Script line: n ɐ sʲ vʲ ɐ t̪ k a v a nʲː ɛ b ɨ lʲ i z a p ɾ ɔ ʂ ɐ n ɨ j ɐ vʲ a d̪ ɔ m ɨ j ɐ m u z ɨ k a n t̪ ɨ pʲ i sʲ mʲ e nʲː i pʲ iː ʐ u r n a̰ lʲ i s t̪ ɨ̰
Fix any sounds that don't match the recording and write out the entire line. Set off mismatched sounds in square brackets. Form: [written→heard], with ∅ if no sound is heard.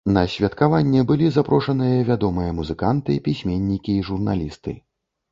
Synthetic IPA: n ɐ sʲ vʲ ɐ t̪ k a v a nʲː ɛ b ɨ lʲ i z a p ɾ ɔ ʂ ɐ n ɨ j ɐ vʲ a d̪ ɔ m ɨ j ɐ m u z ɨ k a n t̪ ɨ pʲ i sʲ mʲ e nʲː i [pʲ→kʲ] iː ʐ u r n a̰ lʲ i s t̪ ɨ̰